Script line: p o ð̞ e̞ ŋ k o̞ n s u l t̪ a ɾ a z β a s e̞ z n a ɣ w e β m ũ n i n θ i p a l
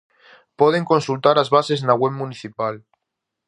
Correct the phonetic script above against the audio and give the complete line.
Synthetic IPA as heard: p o ð̞ e̞ ŋ k o̞ n s u l t̪ a ɾ a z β a s e̞ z n a ɣ w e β m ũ n i θ i p a l